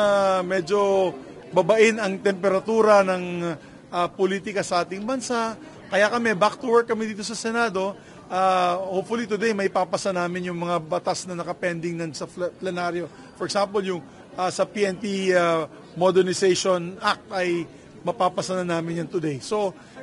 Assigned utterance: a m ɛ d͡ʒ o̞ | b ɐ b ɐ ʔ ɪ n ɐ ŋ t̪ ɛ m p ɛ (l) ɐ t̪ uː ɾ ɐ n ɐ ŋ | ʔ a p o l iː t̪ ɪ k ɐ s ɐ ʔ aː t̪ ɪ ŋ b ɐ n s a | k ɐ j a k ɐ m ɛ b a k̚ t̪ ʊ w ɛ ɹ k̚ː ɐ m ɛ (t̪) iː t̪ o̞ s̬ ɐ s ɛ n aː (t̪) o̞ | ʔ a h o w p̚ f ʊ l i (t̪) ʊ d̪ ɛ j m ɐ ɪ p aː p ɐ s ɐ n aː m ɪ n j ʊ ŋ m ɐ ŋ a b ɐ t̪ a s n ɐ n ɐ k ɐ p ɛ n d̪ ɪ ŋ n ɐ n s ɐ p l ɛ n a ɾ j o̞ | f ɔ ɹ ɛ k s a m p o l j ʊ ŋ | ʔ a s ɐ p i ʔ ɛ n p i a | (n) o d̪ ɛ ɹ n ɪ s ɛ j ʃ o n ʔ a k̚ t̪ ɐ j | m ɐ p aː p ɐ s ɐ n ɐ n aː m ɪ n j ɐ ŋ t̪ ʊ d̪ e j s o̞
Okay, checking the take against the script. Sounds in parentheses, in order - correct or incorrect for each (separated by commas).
incorrect, incorrect, incorrect, correct, incorrect